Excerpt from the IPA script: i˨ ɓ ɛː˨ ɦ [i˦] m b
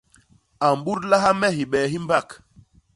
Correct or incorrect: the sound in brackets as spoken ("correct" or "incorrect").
correct